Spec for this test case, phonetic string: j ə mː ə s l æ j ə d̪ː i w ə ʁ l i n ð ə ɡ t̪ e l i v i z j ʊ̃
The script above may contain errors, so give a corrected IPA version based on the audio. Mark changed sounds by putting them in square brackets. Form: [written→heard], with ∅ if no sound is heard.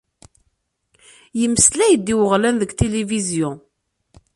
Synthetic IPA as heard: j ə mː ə s l æ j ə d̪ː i w ə ʁ l [i→æ] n ð ə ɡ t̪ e l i v i z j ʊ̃